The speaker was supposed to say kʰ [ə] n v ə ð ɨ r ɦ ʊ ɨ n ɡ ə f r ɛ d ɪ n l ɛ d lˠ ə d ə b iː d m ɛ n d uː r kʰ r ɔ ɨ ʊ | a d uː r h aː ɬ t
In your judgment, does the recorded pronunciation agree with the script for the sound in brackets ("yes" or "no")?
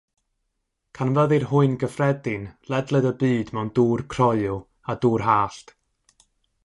no